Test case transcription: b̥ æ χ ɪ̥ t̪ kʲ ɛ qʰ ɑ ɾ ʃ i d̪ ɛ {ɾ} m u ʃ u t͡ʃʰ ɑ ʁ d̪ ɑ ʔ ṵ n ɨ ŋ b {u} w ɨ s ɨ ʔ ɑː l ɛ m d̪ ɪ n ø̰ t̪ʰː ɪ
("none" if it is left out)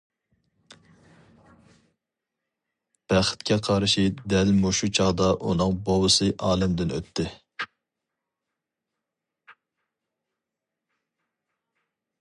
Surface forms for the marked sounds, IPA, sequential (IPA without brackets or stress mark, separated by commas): l, o